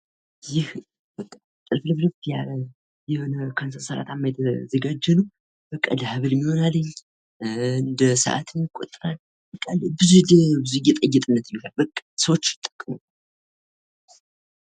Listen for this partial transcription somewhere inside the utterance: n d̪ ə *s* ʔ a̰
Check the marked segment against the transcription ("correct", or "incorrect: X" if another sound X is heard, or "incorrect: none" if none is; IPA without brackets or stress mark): correct